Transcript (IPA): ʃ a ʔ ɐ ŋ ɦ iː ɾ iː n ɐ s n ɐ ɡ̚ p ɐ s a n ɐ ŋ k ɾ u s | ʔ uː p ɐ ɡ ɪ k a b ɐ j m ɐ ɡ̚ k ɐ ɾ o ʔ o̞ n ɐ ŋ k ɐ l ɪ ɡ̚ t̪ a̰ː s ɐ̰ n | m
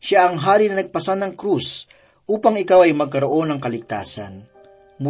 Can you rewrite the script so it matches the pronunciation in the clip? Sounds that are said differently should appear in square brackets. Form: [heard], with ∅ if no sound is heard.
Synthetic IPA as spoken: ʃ a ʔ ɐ ŋ ɦ [aː] ɾ [i] n ɐ [∅] n ɐ ɡ̚ p ɐ s a n ɐ ŋ k ɾ u s | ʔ uː p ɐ [ŋ] ɪ k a [w] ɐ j m ɐ ɡ̚ k ɐ ɾ o ʔ o̞ n ɐ ŋ k ɐ l ɪ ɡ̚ t̪ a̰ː s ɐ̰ n | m